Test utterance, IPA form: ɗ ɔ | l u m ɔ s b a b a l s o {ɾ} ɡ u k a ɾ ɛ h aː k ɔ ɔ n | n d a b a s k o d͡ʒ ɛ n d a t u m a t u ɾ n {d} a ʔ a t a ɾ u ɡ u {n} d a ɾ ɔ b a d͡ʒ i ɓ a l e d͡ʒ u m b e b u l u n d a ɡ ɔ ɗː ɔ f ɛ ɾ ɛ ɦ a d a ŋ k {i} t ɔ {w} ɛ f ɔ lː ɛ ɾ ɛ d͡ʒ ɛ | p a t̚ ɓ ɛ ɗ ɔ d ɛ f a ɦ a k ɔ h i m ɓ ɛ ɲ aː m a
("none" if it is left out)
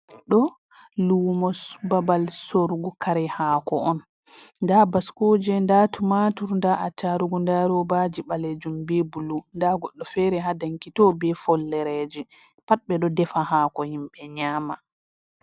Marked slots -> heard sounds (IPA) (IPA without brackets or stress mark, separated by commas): ɾ, d, n, i, b